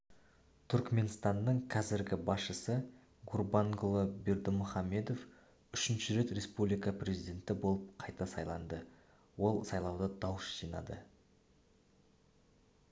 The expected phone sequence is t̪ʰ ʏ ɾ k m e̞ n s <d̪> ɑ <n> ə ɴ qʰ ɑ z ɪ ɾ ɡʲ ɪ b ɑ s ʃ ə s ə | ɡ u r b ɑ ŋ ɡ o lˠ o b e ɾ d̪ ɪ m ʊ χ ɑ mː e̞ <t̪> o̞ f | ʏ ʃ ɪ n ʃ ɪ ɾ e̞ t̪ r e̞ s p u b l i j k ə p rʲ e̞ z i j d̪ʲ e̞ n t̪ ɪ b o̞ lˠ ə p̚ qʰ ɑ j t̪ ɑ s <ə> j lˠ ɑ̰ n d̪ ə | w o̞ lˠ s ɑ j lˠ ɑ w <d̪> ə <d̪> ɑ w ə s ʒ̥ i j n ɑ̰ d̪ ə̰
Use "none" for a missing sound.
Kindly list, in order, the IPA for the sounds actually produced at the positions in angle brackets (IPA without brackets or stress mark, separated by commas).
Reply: t̪, nː, d̪, ɑ, d̪, d̪